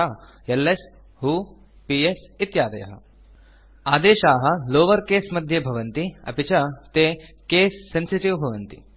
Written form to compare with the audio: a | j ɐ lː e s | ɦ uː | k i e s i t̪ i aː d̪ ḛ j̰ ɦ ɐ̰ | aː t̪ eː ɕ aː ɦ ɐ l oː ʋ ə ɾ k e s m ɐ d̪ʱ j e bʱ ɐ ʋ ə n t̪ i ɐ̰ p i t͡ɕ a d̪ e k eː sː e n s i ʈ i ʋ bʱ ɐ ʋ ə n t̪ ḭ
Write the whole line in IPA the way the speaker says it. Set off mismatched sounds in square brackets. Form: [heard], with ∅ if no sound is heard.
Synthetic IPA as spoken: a | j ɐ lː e s | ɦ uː | [p] i e s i t̪ [j] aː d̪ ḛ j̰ ɦ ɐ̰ | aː [d̪] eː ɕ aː ɦ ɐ l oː ʋ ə ɾ k e s m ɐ d̪ʱ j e bʱ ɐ ʋ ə n t̪ i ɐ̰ p i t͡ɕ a [t̪] e k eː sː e n s i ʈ i ʋ bʱ ɐ ʋ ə n t̪ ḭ